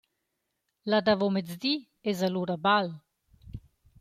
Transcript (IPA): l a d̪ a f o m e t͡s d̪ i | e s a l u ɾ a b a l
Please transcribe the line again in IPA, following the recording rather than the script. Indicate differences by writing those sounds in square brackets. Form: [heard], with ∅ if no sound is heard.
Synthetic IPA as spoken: l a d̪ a [v] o m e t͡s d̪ i | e [z] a l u ɾ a b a l